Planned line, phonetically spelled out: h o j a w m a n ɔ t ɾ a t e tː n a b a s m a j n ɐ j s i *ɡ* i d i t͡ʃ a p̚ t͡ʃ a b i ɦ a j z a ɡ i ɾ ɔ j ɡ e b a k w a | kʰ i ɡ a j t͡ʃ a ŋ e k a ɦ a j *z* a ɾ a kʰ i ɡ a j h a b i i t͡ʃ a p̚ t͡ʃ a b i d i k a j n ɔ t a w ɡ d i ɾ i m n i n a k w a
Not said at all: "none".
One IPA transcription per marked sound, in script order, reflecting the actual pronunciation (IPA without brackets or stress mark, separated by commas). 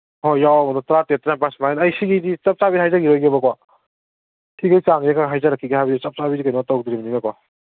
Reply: ɡ, z